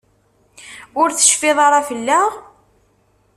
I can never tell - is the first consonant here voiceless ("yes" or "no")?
no